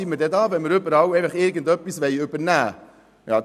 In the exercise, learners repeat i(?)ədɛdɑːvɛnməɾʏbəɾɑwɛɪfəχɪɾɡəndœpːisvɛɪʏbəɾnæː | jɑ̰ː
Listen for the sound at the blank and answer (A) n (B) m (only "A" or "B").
B